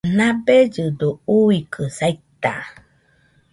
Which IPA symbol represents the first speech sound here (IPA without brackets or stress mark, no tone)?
n